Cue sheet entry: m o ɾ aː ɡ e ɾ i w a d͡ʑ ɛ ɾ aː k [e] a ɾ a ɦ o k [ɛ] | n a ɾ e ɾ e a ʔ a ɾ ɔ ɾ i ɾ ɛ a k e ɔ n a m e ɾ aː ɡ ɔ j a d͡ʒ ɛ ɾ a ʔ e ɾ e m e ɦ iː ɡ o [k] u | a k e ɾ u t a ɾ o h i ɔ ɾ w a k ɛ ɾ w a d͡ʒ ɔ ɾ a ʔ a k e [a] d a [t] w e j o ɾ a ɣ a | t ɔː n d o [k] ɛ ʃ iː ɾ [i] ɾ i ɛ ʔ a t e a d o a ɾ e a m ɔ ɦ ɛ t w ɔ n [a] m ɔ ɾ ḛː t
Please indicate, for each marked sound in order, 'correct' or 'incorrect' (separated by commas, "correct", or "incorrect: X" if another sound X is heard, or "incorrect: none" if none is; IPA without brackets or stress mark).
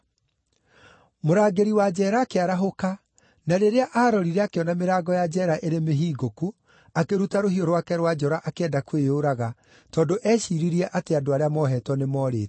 correct, incorrect: a, correct, incorrect: ɛ, incorrect: k, incorrect: ʔ, correct, incorrect: e